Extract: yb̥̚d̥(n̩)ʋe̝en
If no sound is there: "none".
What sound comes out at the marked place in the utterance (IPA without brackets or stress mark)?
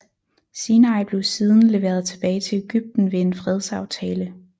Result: n̩